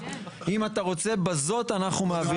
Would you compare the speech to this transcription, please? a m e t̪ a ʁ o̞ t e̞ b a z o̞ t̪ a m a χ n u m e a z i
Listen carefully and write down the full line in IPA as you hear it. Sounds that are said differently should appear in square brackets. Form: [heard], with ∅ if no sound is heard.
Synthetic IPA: [i] m [a] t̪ a ʁ o̞ [t͡s] e̞ b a z o̞ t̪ a [n] a χ n u m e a [v] i